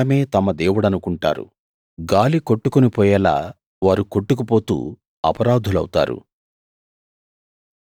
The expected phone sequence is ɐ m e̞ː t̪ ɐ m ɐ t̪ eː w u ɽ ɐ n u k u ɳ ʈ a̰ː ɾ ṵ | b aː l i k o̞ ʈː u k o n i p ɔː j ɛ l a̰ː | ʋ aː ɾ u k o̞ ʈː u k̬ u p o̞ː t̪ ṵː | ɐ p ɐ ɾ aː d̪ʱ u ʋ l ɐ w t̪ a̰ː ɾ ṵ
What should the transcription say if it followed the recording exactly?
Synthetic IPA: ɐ m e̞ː t̪ ɐ m ɐ d̪ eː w u ɽ ɐ n u k u ɳ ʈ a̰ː ɾ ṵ | ɡ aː l i k o̞ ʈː u k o n i p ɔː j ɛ l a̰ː | ʋ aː ɾ u k o̞ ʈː u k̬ u p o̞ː t̪ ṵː | ɐ p ɐ ɾ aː d̪ʱ u l ɐ w t̪ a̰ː ɾ ṵ